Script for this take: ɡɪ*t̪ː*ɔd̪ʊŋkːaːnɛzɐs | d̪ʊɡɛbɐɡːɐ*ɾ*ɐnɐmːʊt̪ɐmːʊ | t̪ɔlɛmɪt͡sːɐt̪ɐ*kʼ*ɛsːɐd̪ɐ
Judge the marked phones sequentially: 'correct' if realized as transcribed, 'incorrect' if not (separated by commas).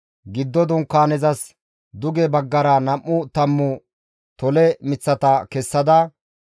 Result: incorrect, correct, incorrect